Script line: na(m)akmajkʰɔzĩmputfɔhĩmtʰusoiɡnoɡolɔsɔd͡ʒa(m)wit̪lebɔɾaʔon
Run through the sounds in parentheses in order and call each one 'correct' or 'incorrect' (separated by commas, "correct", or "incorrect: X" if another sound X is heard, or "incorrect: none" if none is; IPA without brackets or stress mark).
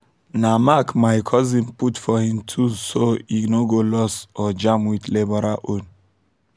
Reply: correct, correct